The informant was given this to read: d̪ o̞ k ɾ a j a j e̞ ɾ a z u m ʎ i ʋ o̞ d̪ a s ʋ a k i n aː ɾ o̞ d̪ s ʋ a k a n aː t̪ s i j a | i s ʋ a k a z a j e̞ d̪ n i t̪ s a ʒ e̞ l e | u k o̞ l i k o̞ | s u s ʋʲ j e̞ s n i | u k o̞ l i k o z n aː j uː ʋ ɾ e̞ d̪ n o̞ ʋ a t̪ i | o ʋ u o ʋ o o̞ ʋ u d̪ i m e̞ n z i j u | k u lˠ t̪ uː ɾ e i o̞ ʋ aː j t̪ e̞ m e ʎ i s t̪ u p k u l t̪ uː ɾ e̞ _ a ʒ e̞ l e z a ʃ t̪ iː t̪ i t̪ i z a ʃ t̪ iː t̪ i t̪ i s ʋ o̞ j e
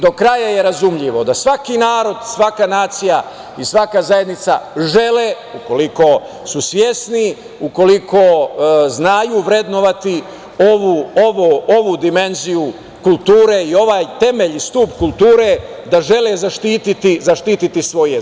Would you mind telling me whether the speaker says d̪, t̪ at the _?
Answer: d̪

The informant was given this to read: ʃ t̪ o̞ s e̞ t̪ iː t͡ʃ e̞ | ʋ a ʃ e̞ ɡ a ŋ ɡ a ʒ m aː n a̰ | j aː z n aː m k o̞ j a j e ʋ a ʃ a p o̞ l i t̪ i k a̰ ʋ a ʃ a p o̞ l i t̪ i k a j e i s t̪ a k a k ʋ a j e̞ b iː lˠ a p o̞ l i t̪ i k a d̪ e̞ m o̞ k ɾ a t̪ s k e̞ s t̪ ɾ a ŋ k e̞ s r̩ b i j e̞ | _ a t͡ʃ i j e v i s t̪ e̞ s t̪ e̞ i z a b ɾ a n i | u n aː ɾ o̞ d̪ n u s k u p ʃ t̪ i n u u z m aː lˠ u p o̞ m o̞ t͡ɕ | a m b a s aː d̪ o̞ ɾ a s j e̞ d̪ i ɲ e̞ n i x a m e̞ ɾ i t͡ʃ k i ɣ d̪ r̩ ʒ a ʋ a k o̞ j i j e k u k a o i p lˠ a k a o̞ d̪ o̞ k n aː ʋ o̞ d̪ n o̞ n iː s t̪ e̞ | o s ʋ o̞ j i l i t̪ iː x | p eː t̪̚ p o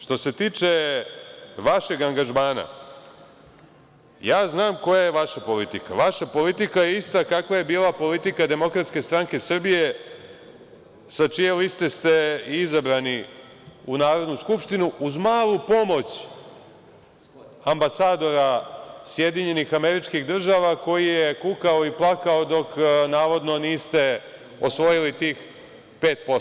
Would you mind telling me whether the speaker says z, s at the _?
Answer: s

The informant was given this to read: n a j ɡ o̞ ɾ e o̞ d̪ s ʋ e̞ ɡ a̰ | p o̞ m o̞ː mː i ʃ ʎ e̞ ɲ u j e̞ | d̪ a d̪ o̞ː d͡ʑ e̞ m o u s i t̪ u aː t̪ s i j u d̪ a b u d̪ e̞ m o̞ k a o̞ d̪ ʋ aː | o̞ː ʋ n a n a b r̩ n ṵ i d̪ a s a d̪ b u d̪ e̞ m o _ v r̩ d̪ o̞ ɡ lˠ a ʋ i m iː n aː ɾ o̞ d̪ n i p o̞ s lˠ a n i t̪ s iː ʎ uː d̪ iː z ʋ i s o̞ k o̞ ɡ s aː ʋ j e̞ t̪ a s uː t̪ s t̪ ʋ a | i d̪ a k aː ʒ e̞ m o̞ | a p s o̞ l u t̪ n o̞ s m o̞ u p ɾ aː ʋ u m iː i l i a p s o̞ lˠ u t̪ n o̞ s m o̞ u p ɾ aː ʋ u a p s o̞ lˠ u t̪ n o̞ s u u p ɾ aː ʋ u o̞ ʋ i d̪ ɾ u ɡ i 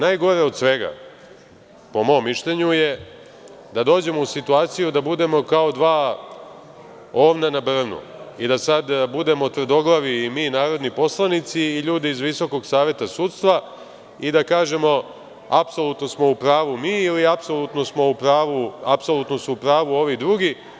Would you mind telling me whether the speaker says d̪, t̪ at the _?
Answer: t̪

